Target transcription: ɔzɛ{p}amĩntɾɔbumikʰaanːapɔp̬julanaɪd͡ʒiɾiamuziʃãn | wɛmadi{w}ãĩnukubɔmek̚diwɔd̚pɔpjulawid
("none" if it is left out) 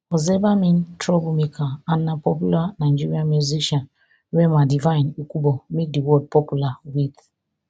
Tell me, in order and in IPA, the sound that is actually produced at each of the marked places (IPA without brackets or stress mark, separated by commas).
b, v